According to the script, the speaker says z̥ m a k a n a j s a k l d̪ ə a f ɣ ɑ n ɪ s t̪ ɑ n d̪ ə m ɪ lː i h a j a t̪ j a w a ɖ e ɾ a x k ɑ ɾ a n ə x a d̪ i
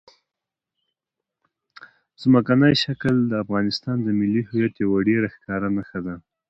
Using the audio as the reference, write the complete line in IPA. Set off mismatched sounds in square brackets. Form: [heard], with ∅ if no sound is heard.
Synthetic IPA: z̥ m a k a n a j [ʃ] a k l d̪ ə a f ɣ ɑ n ɪ s t̪ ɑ n d̪ ə m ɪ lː i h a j a t̪ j a w a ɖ e ɾ a x k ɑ ɾ a n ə x a d̪ [a]